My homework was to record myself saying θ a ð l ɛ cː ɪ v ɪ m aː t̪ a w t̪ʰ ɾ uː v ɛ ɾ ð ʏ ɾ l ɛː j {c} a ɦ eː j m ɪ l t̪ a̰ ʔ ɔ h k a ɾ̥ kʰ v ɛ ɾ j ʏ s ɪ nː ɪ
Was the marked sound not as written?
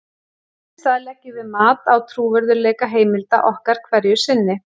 yes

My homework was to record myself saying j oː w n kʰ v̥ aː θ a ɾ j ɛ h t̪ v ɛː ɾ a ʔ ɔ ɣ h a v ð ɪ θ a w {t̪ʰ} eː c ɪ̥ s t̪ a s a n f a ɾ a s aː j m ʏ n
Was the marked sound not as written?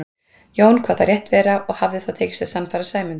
no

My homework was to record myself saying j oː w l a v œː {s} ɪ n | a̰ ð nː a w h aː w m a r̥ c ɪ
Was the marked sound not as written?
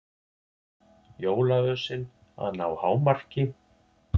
no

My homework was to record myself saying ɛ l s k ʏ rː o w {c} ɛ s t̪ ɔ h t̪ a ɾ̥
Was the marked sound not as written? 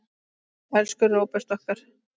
yes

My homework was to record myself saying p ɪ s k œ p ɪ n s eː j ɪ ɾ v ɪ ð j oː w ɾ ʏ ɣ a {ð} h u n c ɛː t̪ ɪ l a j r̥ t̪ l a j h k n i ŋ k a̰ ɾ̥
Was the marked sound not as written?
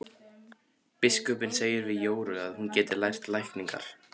no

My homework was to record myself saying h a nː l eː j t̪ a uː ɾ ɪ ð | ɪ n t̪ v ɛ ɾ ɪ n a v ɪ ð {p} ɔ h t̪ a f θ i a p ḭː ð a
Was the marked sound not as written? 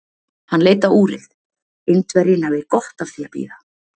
yes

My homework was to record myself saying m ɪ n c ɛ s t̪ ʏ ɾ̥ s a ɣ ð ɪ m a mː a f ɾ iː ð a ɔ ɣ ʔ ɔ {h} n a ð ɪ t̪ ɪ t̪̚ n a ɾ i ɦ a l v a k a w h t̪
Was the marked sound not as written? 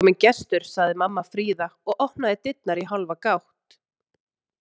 no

